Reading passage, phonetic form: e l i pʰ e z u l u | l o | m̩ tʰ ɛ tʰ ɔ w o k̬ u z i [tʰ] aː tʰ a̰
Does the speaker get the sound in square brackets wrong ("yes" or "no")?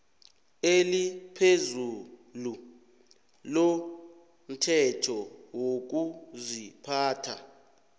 yes